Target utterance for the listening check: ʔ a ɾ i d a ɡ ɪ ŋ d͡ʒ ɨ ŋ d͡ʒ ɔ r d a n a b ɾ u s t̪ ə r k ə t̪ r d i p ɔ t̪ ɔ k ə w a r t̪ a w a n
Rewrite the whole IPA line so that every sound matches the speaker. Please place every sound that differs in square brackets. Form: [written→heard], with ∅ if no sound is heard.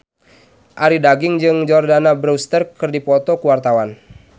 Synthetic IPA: ʔ a ɾ i d a ɡ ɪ ŋ d͡ʒ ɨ ŋ d͡ʒ ɔ r d a n a b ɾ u s t̪ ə r k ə [t̪→∅] r d i p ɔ t̪ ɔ k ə w a r t̪ a w a n